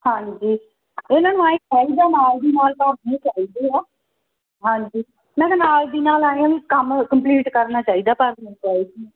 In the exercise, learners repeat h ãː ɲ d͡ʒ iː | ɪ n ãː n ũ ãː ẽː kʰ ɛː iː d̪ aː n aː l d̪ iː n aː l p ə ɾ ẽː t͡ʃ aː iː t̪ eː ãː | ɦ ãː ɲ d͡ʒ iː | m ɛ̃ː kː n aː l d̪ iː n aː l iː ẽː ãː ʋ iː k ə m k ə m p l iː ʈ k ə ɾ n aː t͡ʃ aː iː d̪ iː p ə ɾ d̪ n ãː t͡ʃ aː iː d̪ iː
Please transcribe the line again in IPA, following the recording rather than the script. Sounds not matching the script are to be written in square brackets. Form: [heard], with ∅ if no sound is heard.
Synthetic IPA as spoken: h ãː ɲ d͡ʒ iː | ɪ n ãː n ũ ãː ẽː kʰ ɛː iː d̪ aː n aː l d̪ iː n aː l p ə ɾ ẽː t͡ʃ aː iː [d̪] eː [aː] | ɦ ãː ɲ d͡ʒ iː | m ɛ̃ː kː n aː l d̪ iː n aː l [aː] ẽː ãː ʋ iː k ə m k ə m p l iː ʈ k ə ɾ n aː t͡ʃ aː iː d̪ [aː] p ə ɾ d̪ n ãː t͡ʃ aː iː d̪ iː